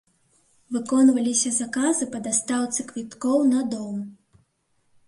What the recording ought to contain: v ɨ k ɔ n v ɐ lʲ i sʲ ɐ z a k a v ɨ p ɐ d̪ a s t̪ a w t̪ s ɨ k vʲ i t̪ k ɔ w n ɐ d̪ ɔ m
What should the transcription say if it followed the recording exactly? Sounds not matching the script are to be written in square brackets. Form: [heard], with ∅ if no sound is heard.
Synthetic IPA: v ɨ k ɔ n v ɐ lʲ i sʲ ɐ z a k a [z] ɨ p ɐ d̪ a s t̪ a w t̪ s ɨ k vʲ i t̪ k ɔ w n ɐ d̪ ɔ m